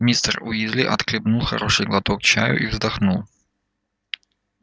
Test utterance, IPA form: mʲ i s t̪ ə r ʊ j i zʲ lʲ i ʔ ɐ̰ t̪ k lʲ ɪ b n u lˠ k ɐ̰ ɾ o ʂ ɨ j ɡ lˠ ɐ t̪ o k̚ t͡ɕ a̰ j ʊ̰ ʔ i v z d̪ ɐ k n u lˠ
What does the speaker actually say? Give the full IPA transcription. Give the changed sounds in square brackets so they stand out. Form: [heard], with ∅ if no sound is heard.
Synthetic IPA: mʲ i s t̪ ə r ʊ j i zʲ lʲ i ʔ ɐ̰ t̪ k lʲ ɪ b n u lˠ [x] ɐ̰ ɾ o ʂ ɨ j ɡ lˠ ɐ t̪ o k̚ t͡ɕ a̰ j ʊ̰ ʔ i v z d̪ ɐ [x] n u lˠ

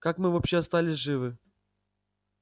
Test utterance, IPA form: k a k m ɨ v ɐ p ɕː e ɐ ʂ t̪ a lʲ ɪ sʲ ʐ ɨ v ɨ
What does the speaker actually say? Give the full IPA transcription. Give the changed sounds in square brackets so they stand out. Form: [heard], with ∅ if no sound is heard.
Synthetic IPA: k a k m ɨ v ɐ p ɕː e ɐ [s] t̪ a lʲ ɪ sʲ ʐ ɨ v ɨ

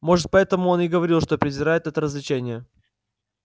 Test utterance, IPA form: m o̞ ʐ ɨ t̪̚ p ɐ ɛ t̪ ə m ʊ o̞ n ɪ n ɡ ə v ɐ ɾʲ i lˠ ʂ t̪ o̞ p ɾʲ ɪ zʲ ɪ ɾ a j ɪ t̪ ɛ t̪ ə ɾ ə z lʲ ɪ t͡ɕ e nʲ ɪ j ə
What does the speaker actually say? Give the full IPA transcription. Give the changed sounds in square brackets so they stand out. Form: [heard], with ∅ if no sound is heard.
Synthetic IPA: m o̞ ʐ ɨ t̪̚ p ɐ ɛ t̪ ə m ʊ o̞ n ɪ [∅] ɡ ə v ɐ ɾʲ i lˠ ʂ t̪ o̞ p ɾʲ ɪ zʲ ɪ ɾ a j ɪ t̪ ɛ t̪ ə ɾ ə z lʲ ɪ t͡ɕ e nʲ ɪ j ə

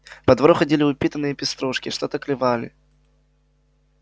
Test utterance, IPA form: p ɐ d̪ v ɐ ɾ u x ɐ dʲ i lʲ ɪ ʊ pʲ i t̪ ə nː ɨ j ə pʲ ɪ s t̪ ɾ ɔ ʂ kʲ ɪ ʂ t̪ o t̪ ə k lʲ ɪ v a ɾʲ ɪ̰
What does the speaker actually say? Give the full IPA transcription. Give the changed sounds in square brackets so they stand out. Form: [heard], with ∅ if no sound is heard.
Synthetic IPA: p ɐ d̪ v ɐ ɾ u x ɐ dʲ i lʲ ɪ ʊ pʲ i t̪ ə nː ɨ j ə pʲ ɪ s t̪ ɾ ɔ ʂ kʲ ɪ ʂ t̪ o t̪ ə k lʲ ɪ v a [lʲ] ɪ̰

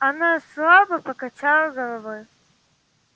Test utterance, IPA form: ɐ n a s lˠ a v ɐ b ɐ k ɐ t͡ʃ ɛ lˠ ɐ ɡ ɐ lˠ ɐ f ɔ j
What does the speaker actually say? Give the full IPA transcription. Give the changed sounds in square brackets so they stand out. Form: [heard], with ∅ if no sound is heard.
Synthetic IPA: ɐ n a s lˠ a [b] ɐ [p] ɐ k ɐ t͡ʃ [a] lˠ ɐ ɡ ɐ lˠ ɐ [v] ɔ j

